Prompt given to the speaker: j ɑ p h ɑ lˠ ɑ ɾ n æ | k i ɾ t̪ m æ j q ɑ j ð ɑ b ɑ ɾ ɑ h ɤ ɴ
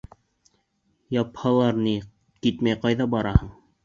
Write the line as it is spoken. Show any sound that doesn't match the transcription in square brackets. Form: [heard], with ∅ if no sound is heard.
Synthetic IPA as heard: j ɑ p h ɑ lˠ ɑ ɾ n [i] | k i [∅] t̪ m æ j q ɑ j ð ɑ b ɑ ɾ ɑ h ɤ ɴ